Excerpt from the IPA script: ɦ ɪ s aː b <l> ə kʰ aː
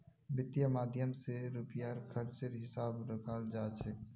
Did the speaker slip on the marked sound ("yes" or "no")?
yes